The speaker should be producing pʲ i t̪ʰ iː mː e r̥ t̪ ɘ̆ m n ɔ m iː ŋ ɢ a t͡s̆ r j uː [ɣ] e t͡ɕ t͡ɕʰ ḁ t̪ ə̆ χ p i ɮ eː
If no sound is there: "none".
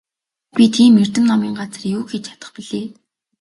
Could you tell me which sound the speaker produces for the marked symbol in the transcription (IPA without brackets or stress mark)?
x